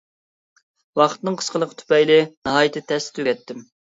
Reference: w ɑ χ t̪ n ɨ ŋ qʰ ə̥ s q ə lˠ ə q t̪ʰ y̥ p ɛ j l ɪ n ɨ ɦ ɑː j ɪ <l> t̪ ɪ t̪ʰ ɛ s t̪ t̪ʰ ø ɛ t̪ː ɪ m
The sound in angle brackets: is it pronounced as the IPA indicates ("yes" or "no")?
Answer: no